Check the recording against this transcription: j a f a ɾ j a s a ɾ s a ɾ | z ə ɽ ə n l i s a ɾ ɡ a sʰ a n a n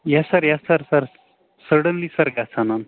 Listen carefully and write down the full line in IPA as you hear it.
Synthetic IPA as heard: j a s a ɾ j a s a ɾ s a ɾ | s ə ɽ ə n l i s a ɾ ɡ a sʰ a n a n